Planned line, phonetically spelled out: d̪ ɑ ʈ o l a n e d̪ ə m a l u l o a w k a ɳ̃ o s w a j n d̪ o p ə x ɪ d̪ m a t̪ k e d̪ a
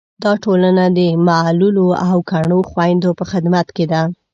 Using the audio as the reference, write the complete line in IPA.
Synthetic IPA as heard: d̪ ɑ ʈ o l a n a d̪ ə m a l u l o a w k a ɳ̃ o x w a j n d̪ o p ə x ɪ d̪ m a t̪ k e d̪ a